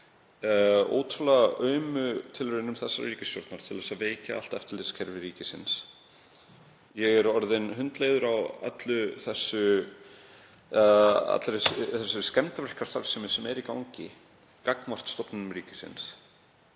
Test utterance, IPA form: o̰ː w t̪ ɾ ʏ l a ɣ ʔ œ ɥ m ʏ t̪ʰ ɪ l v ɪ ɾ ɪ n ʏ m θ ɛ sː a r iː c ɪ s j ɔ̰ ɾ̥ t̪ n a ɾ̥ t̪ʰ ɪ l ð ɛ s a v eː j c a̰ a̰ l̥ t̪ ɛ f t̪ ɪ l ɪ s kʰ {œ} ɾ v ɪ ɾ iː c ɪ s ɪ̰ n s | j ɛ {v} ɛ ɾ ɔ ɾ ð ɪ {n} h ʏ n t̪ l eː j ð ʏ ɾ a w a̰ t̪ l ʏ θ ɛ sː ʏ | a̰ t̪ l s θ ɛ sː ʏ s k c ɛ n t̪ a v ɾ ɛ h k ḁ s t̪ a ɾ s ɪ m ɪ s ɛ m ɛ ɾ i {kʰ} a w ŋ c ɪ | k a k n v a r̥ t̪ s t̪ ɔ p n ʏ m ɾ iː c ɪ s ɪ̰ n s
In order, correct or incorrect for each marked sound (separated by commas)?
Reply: incorrect, incorrect, correct, incorrect